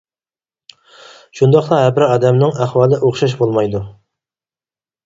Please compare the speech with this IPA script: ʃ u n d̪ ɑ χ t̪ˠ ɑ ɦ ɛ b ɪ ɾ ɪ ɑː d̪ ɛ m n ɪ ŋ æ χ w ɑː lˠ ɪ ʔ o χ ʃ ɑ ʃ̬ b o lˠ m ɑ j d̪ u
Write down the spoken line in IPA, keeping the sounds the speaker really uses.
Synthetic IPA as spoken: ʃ u n d̪ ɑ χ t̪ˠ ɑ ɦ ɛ b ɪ ɾ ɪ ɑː d̪ ɛ m n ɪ ŋ æ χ w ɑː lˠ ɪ ʔ o χ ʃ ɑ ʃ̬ b o lˠ m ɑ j d̪ u